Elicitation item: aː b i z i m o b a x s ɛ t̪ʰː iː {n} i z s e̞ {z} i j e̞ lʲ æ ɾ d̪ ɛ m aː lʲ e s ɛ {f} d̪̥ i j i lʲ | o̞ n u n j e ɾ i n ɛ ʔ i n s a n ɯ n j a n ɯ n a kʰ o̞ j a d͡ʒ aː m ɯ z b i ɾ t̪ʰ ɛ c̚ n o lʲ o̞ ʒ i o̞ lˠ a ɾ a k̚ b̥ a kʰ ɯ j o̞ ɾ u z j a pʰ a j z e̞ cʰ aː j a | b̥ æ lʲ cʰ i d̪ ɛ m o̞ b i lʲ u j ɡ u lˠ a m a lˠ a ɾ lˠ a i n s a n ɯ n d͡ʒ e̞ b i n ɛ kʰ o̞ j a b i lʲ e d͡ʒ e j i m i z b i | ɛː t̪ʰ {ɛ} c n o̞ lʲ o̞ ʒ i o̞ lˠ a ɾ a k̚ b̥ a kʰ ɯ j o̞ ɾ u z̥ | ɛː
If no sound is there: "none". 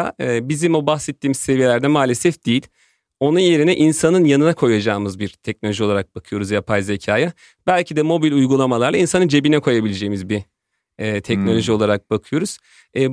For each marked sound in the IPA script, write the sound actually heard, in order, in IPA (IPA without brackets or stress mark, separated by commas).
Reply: m, v, f, ɛ